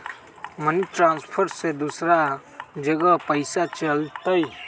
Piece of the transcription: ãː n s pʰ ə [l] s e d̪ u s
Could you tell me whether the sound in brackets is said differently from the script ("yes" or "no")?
yes